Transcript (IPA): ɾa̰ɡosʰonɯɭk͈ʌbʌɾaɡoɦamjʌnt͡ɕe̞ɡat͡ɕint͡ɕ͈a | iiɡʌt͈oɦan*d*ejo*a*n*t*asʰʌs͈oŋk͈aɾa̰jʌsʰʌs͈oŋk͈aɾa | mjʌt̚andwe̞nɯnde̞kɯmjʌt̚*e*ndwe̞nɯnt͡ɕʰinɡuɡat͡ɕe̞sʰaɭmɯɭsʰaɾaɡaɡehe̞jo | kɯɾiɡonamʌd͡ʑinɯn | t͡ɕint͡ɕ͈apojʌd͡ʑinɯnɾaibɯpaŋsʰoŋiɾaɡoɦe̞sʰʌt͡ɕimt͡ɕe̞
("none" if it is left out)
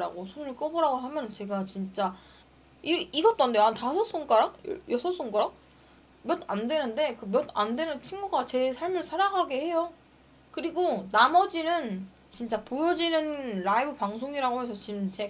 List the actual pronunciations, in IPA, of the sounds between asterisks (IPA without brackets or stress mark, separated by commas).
d, a, t, a